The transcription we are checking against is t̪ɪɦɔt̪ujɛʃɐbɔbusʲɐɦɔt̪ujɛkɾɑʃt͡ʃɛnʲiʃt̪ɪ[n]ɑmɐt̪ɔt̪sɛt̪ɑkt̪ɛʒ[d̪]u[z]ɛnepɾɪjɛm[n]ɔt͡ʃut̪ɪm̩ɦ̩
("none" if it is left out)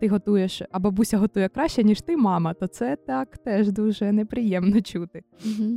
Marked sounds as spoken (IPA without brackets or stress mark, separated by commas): m, d̪, ʒ, n